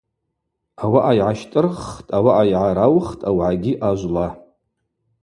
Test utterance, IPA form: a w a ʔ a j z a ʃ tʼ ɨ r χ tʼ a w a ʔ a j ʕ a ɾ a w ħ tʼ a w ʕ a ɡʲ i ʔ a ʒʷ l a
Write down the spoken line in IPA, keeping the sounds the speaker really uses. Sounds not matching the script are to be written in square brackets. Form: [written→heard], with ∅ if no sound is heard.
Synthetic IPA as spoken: a w a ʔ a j [z→ʕ] a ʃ tʼ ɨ r χ tʼ a w a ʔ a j ʕ a ɾ a w [ħ→χ] tʼ a w ʕ a ɡʲ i ʔ a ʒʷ l a